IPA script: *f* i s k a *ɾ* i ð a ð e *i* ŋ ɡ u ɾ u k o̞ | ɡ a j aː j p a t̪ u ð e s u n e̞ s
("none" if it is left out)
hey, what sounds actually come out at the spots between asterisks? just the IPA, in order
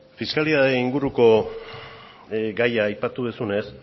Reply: f, l, i

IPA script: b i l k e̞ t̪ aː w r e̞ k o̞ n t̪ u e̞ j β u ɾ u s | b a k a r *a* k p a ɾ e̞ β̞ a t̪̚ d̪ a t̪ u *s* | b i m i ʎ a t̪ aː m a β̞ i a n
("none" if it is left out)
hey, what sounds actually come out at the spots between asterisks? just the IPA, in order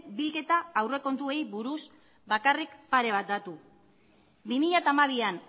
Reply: i, none

